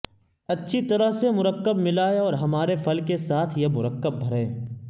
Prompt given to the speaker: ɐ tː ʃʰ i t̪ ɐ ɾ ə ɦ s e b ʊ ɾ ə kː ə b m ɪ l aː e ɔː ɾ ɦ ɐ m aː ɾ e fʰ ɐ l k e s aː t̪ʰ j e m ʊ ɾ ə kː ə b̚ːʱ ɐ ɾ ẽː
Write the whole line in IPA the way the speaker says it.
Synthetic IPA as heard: ɐ tː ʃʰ i t̪ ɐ ɾ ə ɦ s e m ʊ ɾ ə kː ə b m ɪ l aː e ɔː ɾ ɦ ɐ m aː ɾ e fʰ ɐ l k e s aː t̪ʰ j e m ʊ ɾ ə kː ə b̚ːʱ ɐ ɾ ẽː